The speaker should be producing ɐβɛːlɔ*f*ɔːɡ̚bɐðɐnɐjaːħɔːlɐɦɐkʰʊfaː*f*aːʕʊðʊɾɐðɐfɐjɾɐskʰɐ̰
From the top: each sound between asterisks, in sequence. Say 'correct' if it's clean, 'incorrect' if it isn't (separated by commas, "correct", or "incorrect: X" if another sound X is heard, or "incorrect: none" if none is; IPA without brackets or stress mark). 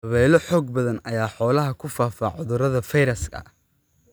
incorrect: ħ, correct